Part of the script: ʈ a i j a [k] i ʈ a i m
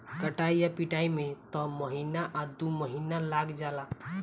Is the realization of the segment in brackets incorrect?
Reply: yes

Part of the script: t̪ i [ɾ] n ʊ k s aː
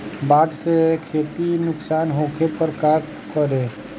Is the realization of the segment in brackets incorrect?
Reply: yes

